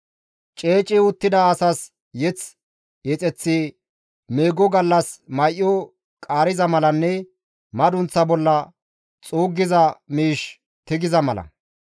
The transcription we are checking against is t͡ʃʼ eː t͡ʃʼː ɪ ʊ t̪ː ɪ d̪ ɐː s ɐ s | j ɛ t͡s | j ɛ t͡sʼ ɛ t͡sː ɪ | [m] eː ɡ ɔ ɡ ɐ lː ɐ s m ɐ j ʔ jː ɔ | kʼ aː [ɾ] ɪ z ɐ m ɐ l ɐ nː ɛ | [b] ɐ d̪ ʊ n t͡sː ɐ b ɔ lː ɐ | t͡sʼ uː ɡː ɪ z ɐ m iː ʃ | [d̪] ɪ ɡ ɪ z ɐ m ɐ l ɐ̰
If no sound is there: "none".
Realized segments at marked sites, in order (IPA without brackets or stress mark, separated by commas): m, ɾ, m, t̪